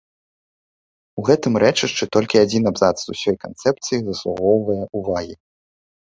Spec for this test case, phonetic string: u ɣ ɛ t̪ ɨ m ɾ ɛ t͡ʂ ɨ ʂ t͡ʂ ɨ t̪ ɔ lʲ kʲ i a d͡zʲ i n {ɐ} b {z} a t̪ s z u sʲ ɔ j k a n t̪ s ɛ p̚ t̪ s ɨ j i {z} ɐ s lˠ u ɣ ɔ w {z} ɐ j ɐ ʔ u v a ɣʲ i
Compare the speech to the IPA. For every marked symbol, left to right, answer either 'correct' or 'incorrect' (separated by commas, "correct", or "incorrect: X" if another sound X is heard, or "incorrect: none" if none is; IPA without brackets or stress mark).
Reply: incorrect: a, correct, correct, incorrect: v